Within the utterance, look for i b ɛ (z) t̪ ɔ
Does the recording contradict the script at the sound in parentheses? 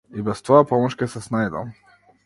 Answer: yes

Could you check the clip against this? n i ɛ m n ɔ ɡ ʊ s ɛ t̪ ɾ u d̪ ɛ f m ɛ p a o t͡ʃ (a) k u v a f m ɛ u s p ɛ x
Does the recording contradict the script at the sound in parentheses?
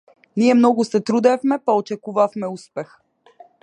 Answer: yes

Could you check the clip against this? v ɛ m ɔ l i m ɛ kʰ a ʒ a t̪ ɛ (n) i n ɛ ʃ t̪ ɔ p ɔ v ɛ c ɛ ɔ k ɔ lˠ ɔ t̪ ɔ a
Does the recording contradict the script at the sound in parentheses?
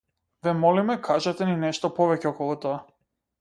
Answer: no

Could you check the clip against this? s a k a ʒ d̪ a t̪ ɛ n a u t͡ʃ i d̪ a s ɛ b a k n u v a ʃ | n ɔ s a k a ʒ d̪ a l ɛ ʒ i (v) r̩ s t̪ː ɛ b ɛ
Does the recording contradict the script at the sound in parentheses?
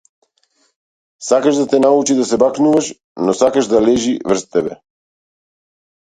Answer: no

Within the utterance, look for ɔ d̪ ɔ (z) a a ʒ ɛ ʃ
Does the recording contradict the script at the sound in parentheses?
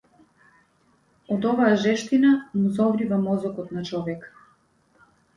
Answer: yes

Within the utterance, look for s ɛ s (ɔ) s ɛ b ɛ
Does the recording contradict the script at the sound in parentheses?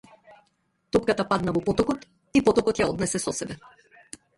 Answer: no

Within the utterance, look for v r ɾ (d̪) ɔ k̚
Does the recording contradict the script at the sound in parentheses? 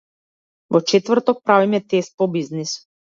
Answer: yes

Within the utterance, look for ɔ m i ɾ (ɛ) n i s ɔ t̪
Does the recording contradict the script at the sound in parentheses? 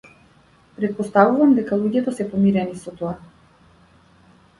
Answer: no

